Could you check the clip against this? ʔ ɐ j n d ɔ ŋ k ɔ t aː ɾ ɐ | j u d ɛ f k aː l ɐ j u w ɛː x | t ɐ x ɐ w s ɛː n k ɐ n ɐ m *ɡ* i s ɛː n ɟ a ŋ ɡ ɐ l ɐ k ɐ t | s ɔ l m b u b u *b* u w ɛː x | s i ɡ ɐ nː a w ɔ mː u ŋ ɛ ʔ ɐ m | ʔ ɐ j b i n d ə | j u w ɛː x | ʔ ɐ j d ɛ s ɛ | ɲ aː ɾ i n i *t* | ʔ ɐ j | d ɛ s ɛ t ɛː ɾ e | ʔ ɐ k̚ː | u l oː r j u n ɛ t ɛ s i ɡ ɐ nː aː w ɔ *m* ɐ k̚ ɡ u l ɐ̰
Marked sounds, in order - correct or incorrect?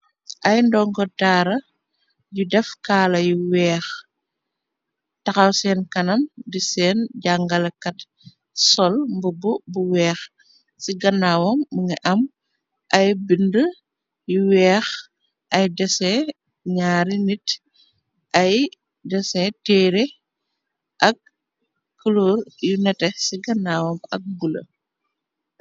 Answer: incorrect, correct, correct, correct

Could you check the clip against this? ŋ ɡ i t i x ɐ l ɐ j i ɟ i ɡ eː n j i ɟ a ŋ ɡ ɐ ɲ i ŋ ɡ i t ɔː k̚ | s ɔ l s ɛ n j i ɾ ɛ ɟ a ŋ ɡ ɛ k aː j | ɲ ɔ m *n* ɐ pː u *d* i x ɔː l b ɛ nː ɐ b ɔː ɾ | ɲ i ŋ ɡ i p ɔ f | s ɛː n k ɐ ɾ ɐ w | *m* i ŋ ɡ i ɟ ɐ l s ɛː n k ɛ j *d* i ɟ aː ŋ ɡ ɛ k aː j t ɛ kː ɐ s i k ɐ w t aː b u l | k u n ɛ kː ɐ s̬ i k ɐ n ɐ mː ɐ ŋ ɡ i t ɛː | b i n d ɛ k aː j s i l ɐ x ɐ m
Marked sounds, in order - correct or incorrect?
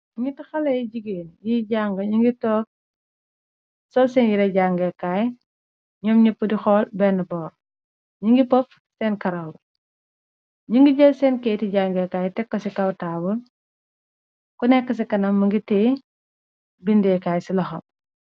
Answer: incorrect, correct, incorrect, incorrect

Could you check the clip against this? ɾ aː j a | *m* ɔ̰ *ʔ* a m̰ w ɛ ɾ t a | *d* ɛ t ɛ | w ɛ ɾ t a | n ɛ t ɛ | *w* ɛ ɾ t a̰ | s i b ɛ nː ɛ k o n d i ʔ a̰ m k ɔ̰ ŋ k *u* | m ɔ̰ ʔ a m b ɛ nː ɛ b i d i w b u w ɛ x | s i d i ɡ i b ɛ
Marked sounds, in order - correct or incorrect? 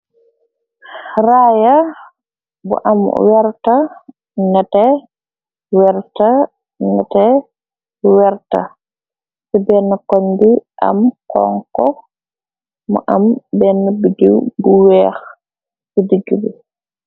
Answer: incorrect, correct, incorrect, correct, incorrect

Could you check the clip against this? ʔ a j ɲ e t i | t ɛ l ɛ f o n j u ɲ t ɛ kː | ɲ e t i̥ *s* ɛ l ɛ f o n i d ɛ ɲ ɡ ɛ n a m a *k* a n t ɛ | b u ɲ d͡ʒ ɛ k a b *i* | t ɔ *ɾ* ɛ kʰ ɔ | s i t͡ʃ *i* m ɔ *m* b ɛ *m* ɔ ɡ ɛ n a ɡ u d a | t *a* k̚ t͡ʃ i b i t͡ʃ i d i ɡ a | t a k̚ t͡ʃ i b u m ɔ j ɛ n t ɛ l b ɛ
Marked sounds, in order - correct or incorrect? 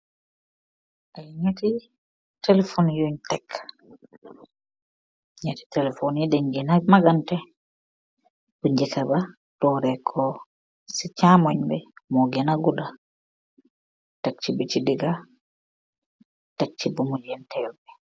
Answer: incorrect, incorrect, incorrect, correct, incorrect, incorrect, correct, correct

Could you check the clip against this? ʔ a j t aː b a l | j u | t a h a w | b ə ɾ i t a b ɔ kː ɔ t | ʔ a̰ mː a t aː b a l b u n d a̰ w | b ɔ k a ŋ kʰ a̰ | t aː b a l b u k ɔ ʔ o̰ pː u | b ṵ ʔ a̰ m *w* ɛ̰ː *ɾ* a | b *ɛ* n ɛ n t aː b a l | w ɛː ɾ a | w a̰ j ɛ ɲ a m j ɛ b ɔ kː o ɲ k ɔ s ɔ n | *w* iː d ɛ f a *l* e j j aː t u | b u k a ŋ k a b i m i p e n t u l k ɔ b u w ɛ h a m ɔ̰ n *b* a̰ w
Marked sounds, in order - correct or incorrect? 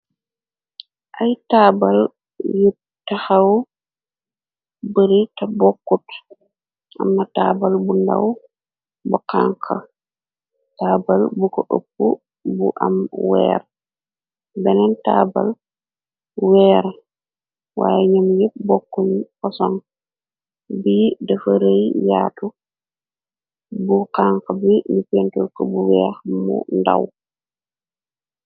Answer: correct, correct, correct, incorrect, incorrect, incorrect

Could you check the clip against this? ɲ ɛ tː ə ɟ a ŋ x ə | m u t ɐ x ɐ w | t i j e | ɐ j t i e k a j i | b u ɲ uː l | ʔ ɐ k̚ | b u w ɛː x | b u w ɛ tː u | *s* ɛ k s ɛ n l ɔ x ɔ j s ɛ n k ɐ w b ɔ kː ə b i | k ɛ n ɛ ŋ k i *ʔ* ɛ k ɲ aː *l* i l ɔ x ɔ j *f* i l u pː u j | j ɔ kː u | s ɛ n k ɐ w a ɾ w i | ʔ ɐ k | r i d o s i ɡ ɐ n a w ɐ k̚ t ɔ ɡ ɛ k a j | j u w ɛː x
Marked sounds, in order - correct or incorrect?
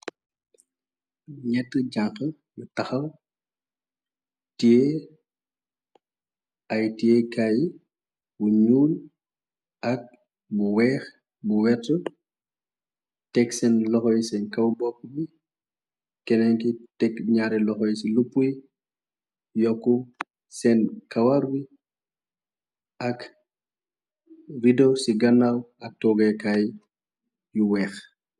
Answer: incorrect, incorrect, incorrect, incorrect

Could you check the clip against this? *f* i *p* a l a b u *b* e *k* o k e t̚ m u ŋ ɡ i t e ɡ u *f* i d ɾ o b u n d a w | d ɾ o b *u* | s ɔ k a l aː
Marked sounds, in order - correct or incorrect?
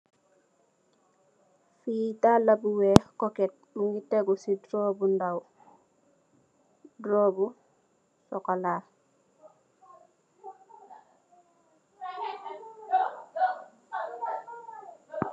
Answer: correct, incorrect, incorrect, correct, incorrect, correct

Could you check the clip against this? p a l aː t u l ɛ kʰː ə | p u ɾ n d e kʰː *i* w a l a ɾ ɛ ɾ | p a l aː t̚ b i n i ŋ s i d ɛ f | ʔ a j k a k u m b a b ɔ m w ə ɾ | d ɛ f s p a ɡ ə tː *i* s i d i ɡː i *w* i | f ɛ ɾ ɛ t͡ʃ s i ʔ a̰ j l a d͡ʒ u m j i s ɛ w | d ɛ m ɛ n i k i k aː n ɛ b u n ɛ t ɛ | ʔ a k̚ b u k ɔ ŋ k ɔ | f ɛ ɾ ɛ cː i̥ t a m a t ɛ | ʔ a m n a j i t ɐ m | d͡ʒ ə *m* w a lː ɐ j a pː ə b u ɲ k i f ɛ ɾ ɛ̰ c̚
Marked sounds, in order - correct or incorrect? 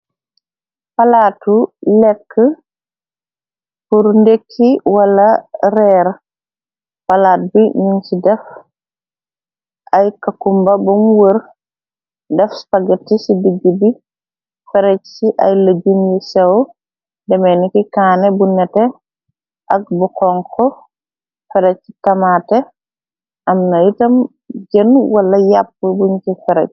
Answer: correct, correct, incorrect, incorrect

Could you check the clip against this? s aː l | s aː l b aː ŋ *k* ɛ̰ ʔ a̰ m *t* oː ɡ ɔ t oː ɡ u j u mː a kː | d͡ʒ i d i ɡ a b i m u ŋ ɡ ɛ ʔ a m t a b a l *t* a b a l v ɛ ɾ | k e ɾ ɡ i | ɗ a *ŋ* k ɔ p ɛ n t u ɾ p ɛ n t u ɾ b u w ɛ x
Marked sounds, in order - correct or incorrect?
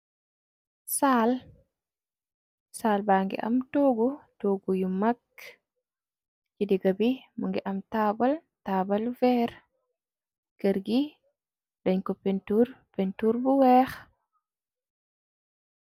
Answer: incorrect, correct, correct, incorrect

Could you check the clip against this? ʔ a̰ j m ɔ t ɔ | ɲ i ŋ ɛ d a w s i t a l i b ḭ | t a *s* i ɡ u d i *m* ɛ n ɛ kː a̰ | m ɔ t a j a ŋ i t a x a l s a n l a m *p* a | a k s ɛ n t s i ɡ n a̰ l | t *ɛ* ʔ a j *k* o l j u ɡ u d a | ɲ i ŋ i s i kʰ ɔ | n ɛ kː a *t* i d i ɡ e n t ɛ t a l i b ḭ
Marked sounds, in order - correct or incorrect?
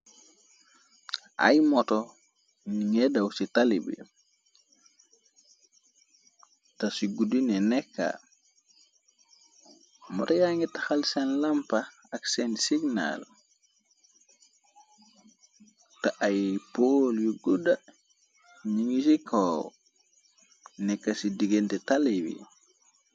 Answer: correct, incorrect, correct, incorrect, incorrect, incorrect

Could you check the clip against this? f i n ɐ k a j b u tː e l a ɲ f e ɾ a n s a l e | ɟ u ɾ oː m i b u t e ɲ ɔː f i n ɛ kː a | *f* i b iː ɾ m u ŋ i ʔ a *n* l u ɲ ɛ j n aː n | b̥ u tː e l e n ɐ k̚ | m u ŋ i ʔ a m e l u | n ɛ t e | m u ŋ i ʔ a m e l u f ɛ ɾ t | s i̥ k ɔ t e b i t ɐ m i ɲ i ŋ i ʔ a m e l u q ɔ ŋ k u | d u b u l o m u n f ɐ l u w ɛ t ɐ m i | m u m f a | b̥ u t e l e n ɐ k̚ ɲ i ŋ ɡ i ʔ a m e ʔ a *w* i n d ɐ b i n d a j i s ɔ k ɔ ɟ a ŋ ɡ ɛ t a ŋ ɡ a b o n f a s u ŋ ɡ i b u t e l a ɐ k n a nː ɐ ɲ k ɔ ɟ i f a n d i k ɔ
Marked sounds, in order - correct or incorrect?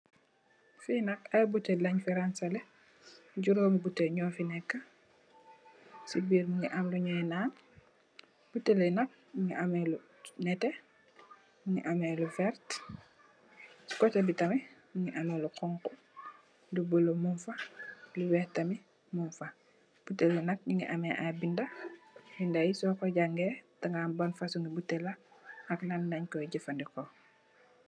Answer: incorrect, incorrect, incorrect

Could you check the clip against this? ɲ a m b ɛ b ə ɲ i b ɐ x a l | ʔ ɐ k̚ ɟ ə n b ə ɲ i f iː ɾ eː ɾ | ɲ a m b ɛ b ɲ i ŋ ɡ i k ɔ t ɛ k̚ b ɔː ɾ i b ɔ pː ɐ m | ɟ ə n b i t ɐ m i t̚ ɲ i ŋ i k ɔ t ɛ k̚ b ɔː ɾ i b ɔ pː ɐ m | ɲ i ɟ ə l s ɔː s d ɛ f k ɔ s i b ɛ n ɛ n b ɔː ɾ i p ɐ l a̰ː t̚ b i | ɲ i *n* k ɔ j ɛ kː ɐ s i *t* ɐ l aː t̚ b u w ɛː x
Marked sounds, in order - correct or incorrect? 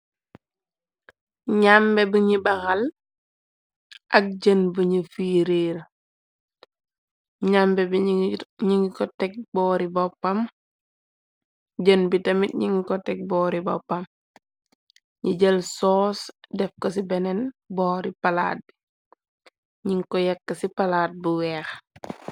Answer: incorrect, incorrect

